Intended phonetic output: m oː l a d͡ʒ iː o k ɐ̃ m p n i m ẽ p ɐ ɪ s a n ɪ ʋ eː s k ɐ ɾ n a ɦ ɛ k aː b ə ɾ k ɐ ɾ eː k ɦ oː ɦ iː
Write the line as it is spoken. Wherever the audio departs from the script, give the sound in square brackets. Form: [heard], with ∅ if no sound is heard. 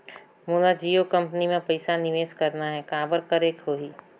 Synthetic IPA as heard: m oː l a d͡ʒ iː o k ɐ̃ m p n i m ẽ p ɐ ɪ s a n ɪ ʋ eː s k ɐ ɾ n a ɦ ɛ k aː b ə ɾ k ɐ ɾ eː k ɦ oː ɦ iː